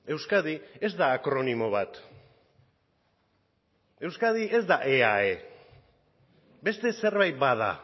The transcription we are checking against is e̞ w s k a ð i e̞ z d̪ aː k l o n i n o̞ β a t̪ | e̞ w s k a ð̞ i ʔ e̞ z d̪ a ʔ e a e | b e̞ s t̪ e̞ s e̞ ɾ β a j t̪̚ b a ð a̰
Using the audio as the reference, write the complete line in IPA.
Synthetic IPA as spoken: e̞ w s k a ð i e̞ z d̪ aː k ɾ o n i m o̞ β a t̪ | e̞ w s k a ð̞ i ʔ e̞ z d̪ a ʔ e a e | b e̞ s t̪ e̞ s e̞ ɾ β a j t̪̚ b a ð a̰

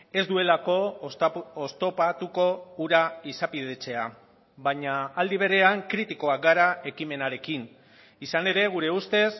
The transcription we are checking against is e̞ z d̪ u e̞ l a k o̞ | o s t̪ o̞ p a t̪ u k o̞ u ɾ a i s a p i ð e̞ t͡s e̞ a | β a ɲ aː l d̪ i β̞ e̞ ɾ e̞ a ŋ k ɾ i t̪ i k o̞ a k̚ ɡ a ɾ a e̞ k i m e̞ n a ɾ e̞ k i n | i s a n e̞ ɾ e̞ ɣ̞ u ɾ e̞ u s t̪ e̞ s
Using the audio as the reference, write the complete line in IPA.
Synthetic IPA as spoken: e̞ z d̪ u e̞ l a k o̞ | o s t̪ o̞ p a t̪ u k o̞ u ɾ a i s a p i ð e̞ t͡s e̞ a | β a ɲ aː l d̪ i β̞ e̞ ɾ e̞ a ŋ k ɾ i t̪ i k o̞ a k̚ ɡ a ɾ a e̞ k i m e̞ n a ɾ e̞ k i n | i s a n e̞ ɾ e̞ ɣ̞ u ɾ e̞ u s t̪ e̞ s

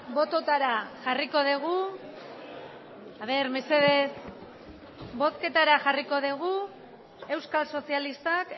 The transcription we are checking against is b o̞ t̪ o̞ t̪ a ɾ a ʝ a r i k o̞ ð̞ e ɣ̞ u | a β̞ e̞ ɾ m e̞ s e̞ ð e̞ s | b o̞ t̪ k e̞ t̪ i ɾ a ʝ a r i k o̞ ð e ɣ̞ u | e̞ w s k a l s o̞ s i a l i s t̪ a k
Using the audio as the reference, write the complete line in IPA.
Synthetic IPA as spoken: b o̞ t̪ o̞ t̪ a ɾ a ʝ a r i k o̞ ð̞ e ɣ̞ u | a β̞ e̞ ɾ m e̞ s e̞ ð e̞ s | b o̞ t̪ k e̞ t̪ a ɾ a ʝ a r i k o̞ ð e ɣ̞ u | e̞ w s k a l s o̞ s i a l i s t̪ a k

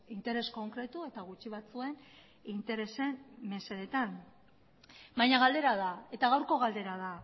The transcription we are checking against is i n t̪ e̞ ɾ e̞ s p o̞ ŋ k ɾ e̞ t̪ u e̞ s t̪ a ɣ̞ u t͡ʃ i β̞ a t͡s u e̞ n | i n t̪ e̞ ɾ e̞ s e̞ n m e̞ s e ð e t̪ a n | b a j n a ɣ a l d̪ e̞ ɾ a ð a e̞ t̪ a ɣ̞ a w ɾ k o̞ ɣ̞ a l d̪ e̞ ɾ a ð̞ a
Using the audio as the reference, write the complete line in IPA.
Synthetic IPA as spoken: i n t̪ e̞ ɾ e̞ s k o̞ ŋ k ɾ e̞ t̪ u e̞ t̪ a ɣ̞ u t͡ʃ i β̞ a t͡s u e̞ n | i n t̪ e̞ ɾ e̞ s e̞ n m e̞ s e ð e t̪ a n | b a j ɲ a ɣ a l d̪ e̞ ɾ a ð a e̞ t̪ a ɣ̞ a w ɾ k o̞ ɣ̞ a l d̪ e̞ ɾ a ð̞ a

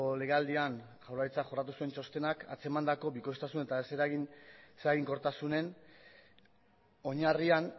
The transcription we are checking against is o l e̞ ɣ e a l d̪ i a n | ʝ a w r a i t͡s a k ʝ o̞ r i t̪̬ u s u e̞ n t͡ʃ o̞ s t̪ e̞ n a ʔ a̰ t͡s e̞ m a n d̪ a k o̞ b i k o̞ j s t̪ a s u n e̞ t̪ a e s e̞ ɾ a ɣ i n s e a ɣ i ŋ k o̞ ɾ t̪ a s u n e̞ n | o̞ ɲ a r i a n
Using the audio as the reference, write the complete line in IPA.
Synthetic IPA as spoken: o l e̞ ɣ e a l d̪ i a n | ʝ a w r a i t͡s a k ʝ o̞ r a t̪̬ u s u e̞ n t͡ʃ o̞ s t̪ e̞ n a k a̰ t͡s e̞ m a n d̪ a k o̞ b i k o̞ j s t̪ a s u n e̞ t̪ a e s e̞ ɾ a ɣ i n s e a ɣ i ŋ k o̞ ɾ t̪ a s u n e̞ n | o̞ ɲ a r i a n

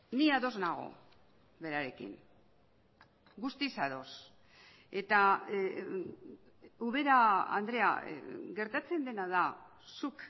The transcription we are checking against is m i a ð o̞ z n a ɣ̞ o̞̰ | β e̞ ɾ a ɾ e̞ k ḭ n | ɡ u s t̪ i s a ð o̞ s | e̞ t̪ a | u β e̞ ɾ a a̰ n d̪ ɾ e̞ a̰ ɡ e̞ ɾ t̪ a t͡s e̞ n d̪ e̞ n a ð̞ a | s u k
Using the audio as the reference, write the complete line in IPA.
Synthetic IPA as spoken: n i a ð o̞ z n a ɣ̞ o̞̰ | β e̞ ɾ a ɾ e̞ k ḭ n | ɡ u s t̪ i s a ð o̞ s | e̞ t̪ a | u β e̞ ɾ a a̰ n d̪ ɾ e̞ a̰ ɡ e̞ ɾ t̪ a t͡s e̞ n d̪ e̞ n a ð̞ a | s u k

